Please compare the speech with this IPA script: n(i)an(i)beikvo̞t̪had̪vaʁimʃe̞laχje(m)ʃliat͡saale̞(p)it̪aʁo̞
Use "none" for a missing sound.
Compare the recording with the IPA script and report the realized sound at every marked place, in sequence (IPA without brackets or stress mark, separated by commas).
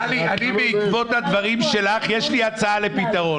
i, i, none, p